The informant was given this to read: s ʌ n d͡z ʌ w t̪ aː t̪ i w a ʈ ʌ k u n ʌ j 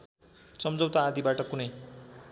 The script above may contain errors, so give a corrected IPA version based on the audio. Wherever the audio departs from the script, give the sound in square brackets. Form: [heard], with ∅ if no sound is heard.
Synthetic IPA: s ʌ [m] d͡z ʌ w t̪ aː [d̪] i [b] a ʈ ʌ k u n ʌ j